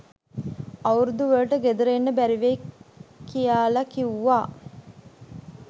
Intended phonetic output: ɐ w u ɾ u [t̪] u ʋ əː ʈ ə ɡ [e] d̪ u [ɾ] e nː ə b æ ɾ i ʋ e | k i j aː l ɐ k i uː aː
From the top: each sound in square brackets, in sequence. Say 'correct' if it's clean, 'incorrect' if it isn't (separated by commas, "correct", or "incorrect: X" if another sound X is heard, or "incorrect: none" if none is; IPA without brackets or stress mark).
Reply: incorrect: d̪, correct, correct